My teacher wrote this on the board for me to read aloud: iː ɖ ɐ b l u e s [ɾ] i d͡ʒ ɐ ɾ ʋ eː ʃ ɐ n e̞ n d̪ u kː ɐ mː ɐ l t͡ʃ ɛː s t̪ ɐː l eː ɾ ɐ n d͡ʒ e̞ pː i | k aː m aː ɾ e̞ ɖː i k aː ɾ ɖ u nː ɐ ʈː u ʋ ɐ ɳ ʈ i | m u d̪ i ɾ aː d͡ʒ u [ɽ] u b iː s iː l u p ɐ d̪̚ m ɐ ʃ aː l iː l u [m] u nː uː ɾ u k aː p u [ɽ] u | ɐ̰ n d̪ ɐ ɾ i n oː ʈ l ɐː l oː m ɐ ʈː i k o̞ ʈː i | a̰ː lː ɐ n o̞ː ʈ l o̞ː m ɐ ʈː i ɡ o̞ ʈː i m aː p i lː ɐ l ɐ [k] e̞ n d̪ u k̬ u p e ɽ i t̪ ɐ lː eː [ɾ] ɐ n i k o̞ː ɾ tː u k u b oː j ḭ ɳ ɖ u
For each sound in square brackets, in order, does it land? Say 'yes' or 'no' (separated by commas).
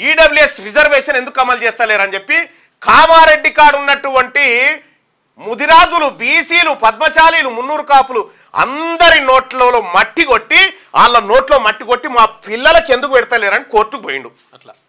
yes, no, yes, no, yes, yes